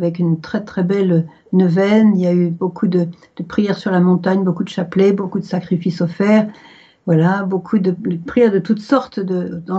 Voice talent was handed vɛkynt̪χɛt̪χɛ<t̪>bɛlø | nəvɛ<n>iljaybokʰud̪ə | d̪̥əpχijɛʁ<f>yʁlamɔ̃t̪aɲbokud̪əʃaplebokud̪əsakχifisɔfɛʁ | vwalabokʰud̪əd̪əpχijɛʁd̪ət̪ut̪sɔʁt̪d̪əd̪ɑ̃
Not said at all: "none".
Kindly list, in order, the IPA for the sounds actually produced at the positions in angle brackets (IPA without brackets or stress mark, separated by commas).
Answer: none, n, s